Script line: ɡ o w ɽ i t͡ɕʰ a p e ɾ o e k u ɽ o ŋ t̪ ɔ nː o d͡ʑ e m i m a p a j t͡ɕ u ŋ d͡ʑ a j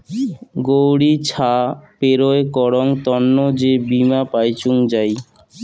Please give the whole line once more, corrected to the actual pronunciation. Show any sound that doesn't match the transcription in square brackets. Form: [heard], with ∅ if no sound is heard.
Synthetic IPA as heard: ɡ o w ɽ i t͡ɕʰ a p e ɾ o e k [ɔ] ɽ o ŋ t̪ ɔ nː o d͡ʑ e [b] i m a p a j t͡ɕ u ŋ d͡ʑ a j